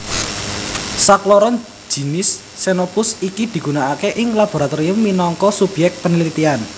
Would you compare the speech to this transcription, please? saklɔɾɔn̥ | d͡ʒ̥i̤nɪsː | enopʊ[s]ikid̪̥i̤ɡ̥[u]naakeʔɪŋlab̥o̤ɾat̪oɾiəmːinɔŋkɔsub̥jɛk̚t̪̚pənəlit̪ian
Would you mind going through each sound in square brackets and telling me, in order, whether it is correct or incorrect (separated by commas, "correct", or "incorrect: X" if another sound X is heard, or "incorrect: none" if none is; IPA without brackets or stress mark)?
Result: correct, correct